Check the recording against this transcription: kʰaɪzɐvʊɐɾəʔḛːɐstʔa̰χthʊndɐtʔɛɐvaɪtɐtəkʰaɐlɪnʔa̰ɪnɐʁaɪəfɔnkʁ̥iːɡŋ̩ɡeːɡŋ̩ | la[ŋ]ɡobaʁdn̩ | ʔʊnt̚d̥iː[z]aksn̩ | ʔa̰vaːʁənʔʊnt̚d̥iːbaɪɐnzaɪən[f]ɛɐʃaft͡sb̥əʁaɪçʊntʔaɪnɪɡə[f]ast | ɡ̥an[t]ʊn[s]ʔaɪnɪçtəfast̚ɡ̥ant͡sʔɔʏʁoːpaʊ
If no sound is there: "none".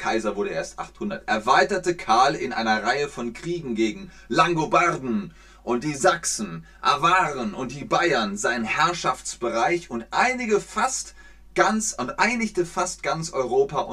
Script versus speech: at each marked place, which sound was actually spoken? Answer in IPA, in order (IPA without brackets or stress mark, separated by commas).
ŋ, z, h, f, t͡s, t